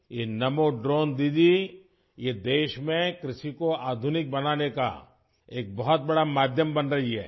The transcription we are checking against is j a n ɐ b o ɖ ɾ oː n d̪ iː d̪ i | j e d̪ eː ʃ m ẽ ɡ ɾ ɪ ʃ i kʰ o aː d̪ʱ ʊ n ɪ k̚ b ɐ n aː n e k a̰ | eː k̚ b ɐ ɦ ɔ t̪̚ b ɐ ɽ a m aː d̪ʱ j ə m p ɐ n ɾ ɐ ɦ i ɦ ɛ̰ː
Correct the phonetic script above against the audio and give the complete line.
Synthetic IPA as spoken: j e n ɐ m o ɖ ɾ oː n d̪ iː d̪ i | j e d̪ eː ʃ m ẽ k ɾ ɪ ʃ i k o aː d̪ʱ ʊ n ɪ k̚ b ɐ n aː n e k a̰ | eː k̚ b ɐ ɦ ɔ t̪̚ b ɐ ɽ a m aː d̪ʱ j ə m b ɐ n ɾ ɐ ɦ i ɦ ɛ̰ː